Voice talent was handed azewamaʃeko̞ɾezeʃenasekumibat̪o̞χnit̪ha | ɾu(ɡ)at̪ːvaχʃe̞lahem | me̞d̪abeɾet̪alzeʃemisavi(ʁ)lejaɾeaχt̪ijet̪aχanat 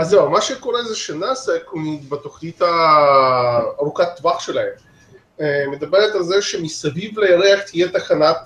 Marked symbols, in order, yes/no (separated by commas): no, no